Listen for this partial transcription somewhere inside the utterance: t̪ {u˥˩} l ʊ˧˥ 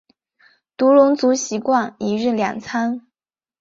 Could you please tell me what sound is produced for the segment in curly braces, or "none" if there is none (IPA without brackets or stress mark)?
u˧˥